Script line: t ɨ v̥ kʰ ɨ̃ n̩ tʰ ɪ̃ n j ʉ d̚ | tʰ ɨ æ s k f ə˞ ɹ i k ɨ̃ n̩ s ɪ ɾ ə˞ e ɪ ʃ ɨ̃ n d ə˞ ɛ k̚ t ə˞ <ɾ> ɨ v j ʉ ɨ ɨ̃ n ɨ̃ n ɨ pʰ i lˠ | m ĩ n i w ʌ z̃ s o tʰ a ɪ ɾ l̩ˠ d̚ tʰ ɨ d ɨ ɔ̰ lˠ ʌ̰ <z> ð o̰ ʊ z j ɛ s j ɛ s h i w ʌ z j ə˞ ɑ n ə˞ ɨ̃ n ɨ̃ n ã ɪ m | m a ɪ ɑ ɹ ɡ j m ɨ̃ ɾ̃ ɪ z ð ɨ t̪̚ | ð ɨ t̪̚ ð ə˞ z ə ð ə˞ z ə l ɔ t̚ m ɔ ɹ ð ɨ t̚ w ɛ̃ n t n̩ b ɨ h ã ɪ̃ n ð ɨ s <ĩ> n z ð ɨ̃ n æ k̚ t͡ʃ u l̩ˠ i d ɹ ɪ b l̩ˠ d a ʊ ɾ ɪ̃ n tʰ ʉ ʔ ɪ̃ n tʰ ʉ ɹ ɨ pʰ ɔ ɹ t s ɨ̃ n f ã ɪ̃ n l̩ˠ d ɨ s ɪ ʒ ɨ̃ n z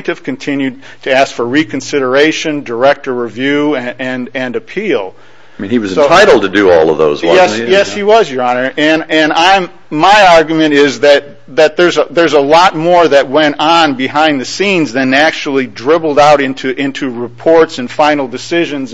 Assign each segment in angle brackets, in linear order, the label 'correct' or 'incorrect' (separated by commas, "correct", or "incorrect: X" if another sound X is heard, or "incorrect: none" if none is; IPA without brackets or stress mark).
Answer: incorrect: ɹ, incorrect: v, correct